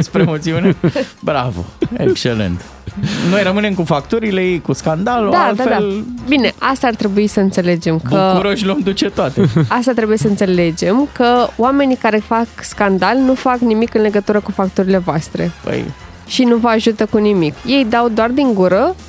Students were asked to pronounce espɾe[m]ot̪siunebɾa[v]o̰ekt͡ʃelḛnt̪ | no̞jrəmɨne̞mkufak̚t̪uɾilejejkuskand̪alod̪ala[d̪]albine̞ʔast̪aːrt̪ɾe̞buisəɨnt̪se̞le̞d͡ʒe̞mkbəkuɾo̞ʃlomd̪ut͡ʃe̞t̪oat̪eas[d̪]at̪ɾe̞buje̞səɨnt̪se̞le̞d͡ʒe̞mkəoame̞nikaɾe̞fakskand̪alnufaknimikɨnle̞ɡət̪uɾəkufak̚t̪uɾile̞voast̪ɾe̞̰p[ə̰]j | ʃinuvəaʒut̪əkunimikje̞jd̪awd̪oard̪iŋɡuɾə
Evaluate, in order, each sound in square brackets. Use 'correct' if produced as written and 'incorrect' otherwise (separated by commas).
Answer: correct, correct, correct, incorrect, correct